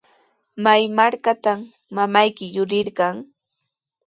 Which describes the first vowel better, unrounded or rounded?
unrounded